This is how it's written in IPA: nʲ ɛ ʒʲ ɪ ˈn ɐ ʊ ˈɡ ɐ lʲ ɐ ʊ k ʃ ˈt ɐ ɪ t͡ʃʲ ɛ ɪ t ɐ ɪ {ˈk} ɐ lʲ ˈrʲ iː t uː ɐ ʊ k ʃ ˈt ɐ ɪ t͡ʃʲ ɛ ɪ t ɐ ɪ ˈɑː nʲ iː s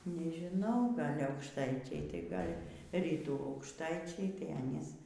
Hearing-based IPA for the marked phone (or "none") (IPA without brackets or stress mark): ɡ